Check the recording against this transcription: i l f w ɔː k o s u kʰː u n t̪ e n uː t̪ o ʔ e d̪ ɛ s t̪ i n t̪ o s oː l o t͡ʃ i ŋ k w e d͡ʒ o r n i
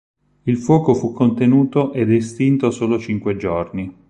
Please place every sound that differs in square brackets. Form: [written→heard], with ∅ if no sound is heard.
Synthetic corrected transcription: i l f w ɔː k o [s→f] u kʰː [u→o] n t̪ e n uː t̪ o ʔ e d̪ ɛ s t̪ i n t̪ o s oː l o t͡ʃ i ŋ k w e d͡ʒ o r n i